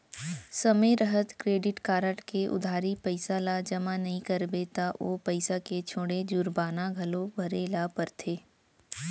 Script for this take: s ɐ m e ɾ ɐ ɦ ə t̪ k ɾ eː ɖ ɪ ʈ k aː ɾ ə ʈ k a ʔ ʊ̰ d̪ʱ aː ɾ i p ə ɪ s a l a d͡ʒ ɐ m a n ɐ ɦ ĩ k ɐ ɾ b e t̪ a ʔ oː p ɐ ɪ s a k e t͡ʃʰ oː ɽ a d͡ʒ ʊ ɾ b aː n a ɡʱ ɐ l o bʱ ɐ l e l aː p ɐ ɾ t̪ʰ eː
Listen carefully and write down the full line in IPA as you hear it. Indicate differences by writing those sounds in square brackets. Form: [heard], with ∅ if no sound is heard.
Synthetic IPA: s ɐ m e ɾ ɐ ɦ ə t̪ k ɾ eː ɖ ɪ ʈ k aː ɾ ə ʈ k [e] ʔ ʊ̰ d̪ʱ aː ɾ i p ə ɪ s a l a d͡ʒ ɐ m a n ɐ ɦ ĩ k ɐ ɾ b e t̪ a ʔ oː p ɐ ɪ s a k e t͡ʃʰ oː ɽ [e] d͡ʒ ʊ ɾ b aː n a ɡʱ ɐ l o bʱ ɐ [ɾ] e l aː p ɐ ɾ t̪ʰ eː